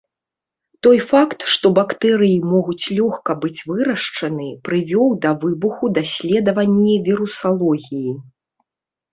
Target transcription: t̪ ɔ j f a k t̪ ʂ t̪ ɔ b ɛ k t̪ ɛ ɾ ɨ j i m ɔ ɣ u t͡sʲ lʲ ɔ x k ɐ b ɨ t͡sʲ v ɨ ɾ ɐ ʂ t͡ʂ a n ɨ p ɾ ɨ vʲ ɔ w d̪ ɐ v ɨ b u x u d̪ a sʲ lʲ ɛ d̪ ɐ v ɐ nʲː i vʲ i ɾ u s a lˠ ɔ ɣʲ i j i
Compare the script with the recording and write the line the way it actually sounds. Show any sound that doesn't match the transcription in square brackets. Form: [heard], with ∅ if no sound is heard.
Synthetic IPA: t̪ ɔ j f a k t̪ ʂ t̪ ɔ b [a] k t̪ ɛ ɾ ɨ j i m ɔ ɣ u t͡sʲ lʲ ɔ x k ɐ b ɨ t͡sʲ v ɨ ɾ ɐ ʂ t͡ʂ [ɐ] n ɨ p ɾ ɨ vʲ ɔ w d̪ ɐ v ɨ b u x u d̪ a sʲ lʲ ɛ d̪ ɐ v ɐ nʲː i vʲ i ɾ u s a lˠ ɔ ɣʲ i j i